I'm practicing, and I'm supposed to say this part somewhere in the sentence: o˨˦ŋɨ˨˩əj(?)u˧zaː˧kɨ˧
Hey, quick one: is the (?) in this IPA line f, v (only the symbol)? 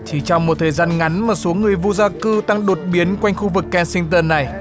v